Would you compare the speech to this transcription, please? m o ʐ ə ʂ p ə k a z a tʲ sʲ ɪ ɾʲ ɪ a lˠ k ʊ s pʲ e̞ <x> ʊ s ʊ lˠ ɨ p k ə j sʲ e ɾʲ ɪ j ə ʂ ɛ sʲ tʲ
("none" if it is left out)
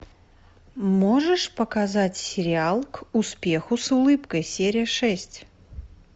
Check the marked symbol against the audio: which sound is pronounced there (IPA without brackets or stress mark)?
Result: x